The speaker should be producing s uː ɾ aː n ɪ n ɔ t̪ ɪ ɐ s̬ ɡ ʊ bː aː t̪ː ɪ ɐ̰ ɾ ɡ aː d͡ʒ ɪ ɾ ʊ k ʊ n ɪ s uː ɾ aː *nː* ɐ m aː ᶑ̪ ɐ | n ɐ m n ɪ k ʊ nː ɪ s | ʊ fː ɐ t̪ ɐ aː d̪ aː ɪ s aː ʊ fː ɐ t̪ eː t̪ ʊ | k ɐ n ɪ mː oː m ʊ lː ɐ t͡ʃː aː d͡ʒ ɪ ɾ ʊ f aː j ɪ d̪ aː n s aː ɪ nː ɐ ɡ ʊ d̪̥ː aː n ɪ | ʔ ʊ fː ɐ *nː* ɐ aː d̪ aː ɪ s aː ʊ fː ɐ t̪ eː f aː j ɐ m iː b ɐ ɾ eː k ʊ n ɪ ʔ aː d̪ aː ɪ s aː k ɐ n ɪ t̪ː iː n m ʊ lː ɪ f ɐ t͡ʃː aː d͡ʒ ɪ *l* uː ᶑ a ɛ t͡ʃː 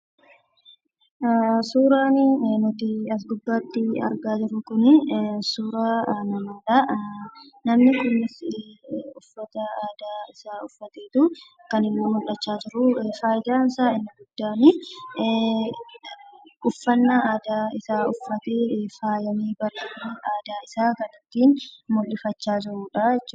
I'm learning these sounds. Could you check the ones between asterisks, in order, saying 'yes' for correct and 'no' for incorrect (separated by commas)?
no, yes, no